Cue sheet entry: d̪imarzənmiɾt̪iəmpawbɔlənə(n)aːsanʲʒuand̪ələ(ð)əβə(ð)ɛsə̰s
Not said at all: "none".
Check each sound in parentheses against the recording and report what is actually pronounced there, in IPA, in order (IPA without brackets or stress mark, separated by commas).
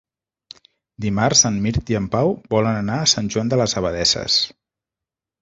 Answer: n, z, ð